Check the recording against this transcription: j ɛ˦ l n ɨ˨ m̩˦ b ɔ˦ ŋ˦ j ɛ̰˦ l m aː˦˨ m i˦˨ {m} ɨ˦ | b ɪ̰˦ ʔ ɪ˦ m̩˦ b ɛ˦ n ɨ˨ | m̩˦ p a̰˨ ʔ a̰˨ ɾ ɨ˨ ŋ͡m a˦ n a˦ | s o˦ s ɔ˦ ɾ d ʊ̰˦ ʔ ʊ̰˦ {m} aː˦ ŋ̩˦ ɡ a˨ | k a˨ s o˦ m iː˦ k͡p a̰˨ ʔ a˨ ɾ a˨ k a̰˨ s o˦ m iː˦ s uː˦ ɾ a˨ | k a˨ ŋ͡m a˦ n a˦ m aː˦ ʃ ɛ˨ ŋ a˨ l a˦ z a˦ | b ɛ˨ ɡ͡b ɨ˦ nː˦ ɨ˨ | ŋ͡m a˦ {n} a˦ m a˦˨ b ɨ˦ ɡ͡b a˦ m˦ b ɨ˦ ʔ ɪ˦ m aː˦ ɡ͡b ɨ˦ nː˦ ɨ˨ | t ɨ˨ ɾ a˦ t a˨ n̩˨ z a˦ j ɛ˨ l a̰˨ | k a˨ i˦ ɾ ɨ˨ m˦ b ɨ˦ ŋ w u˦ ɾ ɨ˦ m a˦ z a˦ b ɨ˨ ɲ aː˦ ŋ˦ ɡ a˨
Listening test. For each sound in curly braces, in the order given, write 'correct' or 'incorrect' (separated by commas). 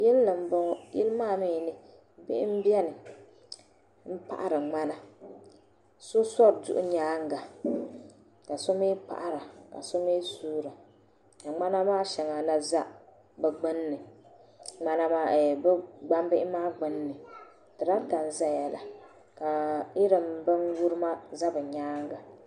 incorrect, incorrect, correct